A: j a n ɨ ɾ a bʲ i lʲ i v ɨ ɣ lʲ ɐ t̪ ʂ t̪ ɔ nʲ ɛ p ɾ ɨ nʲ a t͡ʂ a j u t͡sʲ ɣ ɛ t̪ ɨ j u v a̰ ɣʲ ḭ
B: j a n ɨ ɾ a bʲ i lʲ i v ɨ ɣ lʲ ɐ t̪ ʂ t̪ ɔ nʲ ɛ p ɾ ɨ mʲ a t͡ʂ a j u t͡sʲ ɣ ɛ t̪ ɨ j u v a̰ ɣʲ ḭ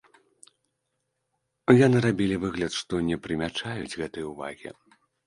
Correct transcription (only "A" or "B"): B